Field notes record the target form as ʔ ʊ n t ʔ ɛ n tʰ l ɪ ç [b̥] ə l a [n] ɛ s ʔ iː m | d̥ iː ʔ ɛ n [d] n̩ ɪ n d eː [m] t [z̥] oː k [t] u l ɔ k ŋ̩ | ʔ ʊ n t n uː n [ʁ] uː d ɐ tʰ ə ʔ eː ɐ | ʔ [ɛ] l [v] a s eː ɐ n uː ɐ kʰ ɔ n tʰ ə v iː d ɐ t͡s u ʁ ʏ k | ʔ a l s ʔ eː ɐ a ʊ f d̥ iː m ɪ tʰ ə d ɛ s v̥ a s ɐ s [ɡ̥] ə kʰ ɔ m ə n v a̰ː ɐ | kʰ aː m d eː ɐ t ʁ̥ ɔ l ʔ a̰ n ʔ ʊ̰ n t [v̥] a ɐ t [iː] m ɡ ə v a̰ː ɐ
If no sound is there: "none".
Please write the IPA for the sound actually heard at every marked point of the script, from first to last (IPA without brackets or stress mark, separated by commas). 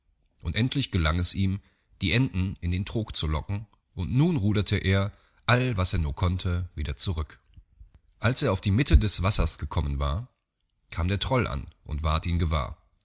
ɡ̥, ŋ, d, n, ʁ̥, t͡s, ʁ, a, v, ɡ̥, v̥, iː